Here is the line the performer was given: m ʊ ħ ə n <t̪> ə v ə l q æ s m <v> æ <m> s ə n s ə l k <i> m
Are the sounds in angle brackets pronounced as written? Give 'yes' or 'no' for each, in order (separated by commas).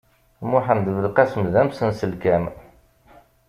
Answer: no, no, yes, no